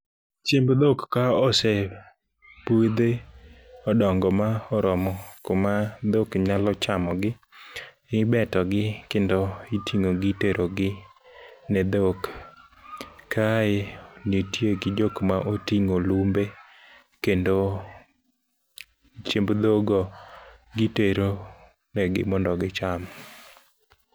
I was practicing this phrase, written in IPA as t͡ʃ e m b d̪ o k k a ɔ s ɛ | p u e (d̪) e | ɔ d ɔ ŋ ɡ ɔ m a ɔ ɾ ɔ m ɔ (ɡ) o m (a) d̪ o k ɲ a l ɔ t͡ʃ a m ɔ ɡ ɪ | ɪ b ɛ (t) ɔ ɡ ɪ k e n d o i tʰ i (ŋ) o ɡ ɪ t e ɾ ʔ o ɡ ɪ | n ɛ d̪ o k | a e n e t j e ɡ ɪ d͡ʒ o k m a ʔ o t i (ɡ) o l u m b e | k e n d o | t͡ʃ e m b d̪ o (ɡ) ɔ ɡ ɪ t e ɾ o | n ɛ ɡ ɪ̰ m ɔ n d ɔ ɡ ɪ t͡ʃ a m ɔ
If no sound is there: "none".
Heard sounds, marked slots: d̪, k, a, t, ŋ, ŋ, ɡ

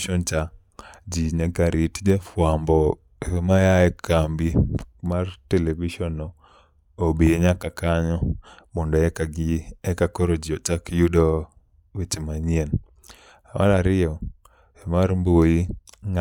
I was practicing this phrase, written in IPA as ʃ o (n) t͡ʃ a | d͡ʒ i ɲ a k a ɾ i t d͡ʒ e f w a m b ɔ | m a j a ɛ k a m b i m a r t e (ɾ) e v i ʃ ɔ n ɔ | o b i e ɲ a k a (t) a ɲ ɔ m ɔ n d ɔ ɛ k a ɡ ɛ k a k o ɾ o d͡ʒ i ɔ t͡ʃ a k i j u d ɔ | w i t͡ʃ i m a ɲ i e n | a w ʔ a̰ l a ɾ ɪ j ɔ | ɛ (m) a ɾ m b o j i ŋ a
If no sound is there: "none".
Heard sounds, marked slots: n, l, k, m

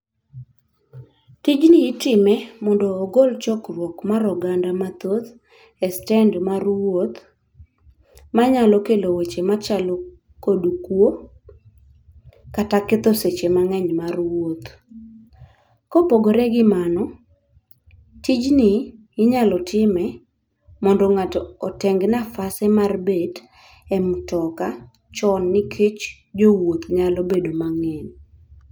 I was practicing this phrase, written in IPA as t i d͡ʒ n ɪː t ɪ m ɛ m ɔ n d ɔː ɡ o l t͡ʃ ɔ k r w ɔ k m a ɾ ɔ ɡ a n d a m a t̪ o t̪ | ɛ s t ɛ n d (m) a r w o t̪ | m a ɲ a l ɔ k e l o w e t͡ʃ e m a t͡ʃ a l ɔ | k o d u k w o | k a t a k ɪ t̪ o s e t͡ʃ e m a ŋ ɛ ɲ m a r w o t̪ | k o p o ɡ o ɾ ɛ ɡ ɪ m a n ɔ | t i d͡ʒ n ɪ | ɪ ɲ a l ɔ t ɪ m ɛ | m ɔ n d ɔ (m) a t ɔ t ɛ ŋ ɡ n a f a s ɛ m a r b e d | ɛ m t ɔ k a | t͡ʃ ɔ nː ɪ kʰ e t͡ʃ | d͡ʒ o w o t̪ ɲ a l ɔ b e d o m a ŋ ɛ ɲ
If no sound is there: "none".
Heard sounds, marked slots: m, ŋ

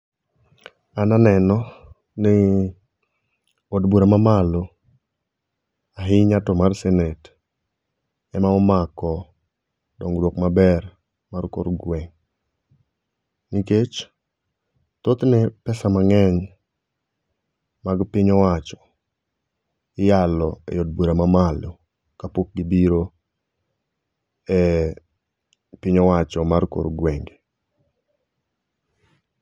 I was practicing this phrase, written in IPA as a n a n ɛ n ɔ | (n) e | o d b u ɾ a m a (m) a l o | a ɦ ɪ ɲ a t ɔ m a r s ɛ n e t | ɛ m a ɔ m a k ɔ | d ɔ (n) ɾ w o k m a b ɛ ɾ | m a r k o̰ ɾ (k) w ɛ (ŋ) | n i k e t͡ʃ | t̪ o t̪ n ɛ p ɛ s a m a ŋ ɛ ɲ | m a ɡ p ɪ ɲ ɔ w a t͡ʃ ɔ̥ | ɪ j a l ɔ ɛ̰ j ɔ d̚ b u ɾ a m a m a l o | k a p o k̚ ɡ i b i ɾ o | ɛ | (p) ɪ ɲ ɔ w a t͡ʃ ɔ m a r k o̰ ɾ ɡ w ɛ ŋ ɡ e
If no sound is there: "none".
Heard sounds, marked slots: n, m, ŋ, ɡ, ŋ, p

